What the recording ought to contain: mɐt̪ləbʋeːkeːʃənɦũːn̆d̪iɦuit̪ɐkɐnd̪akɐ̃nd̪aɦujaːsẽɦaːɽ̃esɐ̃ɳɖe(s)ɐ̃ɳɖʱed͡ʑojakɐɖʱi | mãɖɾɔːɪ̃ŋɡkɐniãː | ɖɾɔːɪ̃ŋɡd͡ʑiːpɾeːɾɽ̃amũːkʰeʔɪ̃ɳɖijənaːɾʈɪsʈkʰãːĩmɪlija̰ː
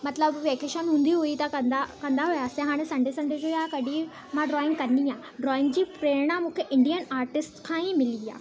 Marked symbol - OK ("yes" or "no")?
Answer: yes